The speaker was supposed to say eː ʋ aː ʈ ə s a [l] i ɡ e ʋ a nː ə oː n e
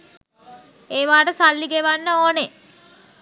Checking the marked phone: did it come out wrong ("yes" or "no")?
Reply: yes